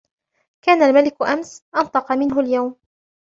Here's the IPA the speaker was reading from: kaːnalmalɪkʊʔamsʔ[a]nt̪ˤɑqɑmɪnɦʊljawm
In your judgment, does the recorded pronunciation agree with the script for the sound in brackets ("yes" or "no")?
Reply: no